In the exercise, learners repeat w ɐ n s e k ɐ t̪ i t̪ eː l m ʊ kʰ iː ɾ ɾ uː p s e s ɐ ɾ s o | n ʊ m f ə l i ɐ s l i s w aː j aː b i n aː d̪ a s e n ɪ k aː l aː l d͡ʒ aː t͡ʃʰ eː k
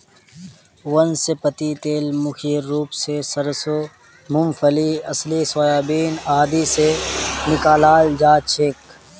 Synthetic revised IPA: w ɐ n s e p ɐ t̪ i t̪ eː l m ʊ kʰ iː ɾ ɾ uː p s e s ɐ ɾ s o | m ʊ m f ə l i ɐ s l i s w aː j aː b iː n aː d̪ i s e n ɪ k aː l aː l d͡ʒ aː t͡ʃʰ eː k